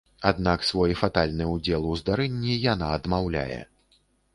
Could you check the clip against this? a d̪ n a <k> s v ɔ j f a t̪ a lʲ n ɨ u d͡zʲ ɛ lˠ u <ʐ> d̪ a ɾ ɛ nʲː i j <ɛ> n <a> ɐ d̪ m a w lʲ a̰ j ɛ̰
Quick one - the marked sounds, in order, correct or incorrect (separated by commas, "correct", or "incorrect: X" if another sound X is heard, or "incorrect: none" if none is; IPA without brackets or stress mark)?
correct, incorrect: z, incorrect: a, correct